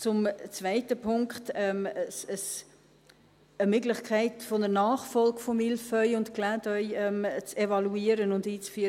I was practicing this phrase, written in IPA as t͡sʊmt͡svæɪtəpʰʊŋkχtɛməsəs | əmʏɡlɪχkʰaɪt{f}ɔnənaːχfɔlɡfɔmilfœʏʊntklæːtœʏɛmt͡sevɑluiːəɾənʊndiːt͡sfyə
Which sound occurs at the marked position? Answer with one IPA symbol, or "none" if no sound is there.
f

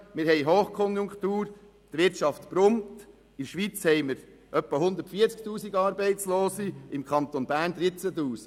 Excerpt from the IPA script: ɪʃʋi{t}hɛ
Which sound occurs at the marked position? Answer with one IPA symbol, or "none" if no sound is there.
t͡s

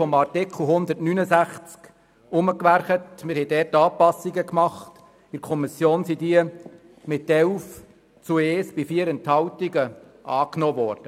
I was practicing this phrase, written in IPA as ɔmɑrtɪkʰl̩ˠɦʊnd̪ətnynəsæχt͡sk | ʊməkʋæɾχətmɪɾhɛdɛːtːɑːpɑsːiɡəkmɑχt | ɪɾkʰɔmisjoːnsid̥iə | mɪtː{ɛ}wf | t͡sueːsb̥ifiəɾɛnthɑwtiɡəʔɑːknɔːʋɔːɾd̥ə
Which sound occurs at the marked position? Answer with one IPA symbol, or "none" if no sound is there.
ɛ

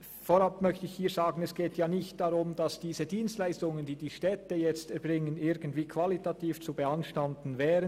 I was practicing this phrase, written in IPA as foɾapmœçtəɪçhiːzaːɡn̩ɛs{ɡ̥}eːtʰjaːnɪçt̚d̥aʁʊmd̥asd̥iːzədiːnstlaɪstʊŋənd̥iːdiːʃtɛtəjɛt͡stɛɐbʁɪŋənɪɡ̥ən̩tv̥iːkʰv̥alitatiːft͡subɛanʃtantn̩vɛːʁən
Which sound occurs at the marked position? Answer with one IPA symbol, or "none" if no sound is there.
ɡ̥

